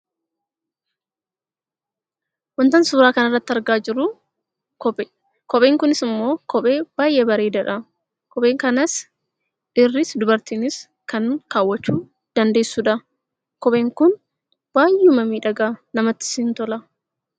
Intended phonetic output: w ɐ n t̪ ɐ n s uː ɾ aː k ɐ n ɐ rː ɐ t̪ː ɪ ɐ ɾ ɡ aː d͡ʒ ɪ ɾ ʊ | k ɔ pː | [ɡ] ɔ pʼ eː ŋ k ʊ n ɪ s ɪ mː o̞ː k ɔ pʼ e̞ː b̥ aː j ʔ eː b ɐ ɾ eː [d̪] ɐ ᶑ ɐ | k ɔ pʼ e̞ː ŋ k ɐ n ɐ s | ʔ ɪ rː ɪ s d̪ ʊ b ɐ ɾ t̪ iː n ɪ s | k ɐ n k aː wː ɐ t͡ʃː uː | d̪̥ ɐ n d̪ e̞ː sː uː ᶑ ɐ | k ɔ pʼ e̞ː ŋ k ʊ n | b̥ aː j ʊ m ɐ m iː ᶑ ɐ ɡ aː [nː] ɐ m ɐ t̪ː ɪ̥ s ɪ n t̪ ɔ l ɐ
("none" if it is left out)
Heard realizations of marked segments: k, d̪, n

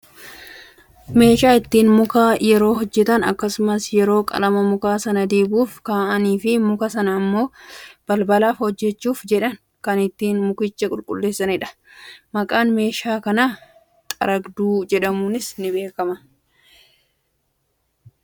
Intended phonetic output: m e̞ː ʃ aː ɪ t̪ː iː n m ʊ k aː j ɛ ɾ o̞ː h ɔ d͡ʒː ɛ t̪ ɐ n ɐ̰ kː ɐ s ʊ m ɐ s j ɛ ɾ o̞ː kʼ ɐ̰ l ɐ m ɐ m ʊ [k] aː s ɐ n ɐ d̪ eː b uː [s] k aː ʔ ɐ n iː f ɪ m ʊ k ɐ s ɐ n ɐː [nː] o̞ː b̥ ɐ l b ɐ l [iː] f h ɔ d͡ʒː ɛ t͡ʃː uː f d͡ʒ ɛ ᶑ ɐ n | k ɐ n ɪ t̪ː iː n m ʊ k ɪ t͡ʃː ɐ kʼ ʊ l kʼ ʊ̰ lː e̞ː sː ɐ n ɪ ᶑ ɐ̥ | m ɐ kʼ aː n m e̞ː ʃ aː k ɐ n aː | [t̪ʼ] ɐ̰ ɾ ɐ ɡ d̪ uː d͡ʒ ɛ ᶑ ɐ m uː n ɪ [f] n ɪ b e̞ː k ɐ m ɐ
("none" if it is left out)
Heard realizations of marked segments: k, f, mː, aː, t̪ʼ, s

